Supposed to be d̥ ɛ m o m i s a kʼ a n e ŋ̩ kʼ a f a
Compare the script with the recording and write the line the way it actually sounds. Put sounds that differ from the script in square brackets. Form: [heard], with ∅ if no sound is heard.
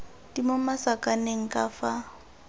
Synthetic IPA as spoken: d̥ [i] m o m [a] s a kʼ a n e ŋ̩ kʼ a f a